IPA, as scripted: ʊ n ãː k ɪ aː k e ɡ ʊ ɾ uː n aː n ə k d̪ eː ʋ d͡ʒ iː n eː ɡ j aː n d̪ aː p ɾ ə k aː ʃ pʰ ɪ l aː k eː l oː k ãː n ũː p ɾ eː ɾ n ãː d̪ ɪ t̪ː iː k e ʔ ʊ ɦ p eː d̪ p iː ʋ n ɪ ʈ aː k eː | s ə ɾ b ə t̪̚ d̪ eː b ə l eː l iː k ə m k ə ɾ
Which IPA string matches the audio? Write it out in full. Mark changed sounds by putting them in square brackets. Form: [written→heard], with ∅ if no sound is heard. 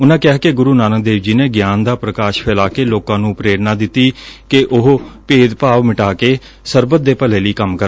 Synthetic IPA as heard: ʊ n ãː k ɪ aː k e ɡ ʊ ɾ uː n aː n ə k d̪ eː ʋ d͡ʒ iː n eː ɡ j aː n d̪ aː p ɾ ə k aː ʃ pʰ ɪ l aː k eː l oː k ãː n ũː p ɾ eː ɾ n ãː d̪ ɪ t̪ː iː k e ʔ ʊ ɦ p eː d̪ p [iː→aː] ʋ [n→m] ɪ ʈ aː k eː | s ə ɾ b ə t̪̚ d̪ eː [b→p] ə l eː l iː k ə m k ə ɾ